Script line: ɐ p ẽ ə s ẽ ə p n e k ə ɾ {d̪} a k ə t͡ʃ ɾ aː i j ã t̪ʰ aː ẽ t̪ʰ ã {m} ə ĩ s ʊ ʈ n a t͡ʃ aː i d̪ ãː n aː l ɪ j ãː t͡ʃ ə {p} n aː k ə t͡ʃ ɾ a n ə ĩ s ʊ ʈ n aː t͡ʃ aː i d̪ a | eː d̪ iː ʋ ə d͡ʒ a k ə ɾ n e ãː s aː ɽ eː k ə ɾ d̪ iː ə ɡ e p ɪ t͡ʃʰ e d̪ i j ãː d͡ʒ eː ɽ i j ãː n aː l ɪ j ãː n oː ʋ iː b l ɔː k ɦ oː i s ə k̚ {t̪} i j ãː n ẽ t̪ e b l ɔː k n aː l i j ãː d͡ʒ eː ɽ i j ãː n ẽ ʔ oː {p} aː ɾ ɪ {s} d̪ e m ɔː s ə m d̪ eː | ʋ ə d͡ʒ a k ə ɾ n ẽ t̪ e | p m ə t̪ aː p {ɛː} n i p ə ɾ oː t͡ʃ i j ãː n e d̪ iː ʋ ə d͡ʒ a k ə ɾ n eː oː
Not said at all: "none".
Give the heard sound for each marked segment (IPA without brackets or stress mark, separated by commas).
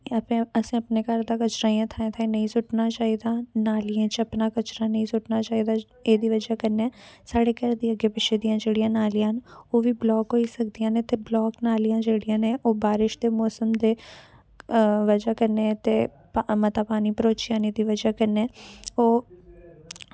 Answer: d̪, n, p, d̪, b, ʃ, aː